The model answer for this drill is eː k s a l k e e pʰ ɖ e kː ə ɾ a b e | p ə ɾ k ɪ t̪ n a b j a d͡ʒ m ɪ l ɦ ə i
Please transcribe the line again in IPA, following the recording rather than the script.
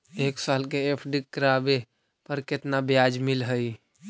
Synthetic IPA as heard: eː k s a l k e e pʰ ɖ i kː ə ɾ a b e | p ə ɾ k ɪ t̪ n a b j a d͡ʒ m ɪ l ɦ ə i